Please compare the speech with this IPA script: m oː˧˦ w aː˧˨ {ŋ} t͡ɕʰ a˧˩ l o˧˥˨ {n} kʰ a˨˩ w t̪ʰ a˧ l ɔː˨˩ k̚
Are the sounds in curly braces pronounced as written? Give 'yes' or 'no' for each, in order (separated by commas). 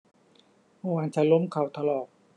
no, no